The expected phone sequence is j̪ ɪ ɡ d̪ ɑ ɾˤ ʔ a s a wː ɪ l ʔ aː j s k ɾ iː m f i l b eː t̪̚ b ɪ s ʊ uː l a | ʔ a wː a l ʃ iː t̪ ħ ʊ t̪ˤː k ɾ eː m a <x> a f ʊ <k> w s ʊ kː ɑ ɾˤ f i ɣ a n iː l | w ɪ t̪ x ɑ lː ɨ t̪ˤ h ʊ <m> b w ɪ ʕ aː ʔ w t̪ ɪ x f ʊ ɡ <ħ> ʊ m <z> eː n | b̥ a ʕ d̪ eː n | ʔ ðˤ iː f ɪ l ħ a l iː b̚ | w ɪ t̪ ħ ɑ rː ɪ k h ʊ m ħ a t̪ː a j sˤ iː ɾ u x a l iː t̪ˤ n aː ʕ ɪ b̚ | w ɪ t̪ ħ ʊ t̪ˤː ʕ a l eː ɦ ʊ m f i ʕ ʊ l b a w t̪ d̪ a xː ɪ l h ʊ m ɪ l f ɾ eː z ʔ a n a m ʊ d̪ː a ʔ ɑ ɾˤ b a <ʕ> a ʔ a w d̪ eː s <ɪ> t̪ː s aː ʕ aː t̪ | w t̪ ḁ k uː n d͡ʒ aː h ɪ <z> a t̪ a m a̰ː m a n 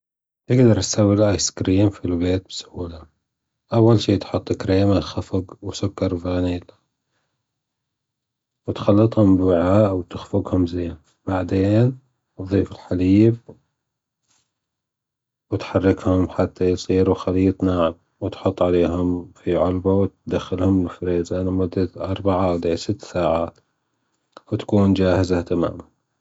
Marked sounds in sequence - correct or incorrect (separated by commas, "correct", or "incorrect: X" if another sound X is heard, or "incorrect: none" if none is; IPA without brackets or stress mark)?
correct, incorrect: ɡ, correct, incorrect: h, correct, correct, correct, correct